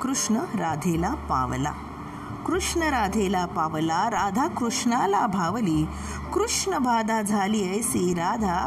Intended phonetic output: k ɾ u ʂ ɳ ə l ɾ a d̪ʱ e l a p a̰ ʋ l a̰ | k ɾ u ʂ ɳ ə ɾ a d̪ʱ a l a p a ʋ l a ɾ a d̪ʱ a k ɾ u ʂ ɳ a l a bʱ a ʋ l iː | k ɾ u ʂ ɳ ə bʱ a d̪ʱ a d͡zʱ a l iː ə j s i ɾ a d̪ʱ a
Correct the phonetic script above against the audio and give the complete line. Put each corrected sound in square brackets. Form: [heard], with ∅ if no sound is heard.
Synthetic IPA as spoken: k ɾ u ʂ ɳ ə [∅] ɾ a d̪ʱ e l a p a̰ ʋ l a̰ | k ɾ u ʂ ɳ ə ɾ a d̪ʱ [e] l a p a ʋ l a ɾ a d̪ʱ a k ɾ u ʂ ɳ a l a bʱ a ʋ l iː | k ɾ u ʂ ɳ ə bʱ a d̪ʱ a d͡zʱ a l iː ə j s i ɾ a d̪ʱ a